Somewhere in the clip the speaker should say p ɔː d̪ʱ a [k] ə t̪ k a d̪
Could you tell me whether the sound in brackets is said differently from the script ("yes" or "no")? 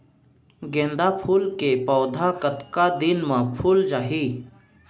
no